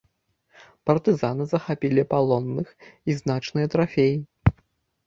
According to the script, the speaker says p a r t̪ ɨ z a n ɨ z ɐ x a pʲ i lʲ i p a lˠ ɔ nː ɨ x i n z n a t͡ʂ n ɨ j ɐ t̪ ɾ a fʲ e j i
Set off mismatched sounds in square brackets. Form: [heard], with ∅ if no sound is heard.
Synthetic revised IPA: p [ɐ] r t̪ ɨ z a n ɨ z ɐ x a pʲ i lʲ i p a lˠ ɔ nː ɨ x i [∅] z n a t͡ʂ n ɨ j ɐ t̪ ɾ a fʲ e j i